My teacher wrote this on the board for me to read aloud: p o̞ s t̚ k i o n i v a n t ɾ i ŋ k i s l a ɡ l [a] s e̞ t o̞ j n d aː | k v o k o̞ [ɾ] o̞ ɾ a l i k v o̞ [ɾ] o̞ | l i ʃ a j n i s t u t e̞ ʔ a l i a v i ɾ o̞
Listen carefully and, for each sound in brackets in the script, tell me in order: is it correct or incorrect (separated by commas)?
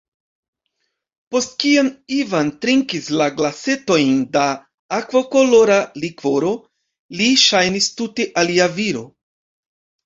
correct, incorrect, correct